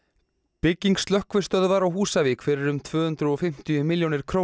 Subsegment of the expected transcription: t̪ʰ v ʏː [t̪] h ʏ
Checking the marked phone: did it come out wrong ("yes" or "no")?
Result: yes